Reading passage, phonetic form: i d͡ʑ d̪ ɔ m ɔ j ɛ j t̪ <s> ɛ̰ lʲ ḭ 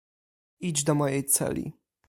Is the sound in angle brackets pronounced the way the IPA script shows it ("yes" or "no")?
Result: yes